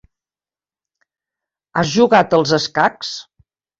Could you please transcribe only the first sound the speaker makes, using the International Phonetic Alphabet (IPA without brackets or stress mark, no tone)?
a